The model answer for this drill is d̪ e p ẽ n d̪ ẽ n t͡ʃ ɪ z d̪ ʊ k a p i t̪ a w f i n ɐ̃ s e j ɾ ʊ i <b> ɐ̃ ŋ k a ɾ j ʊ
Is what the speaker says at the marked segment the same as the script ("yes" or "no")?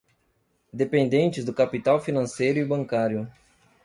yes